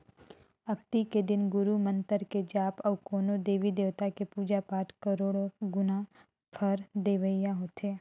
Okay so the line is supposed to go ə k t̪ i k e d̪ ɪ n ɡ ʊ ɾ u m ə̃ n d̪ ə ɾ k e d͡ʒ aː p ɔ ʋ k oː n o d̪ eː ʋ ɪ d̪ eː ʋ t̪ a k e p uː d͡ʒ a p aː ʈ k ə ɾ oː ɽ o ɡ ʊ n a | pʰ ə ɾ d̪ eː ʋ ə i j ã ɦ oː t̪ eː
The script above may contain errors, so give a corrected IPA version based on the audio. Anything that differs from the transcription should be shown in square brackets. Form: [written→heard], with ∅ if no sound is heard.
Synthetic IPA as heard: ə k t̪ i k e d̪ ɪ n ɡ ʊ ɾ u m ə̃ n [d̪→t̪] ə ɾ k e d͡ʒ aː p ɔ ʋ k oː n o d̪ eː ʋ [ɪ→i] d̪ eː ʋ t̪ a k e p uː d͡ʒ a p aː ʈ k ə ɾ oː ɽ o ɡ ʊ n a | pʰ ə ɾ d̪ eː ʋ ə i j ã ɦ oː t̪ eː